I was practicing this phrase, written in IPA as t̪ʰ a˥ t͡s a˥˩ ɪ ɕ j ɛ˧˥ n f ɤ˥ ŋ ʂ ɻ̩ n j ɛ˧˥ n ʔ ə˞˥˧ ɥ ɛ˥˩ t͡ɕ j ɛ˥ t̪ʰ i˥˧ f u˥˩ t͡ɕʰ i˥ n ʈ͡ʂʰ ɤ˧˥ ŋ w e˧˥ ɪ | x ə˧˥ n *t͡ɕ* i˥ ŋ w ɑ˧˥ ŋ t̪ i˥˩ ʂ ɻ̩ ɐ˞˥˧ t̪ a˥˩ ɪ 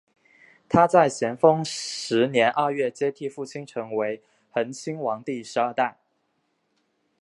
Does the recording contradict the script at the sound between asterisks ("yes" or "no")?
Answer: yes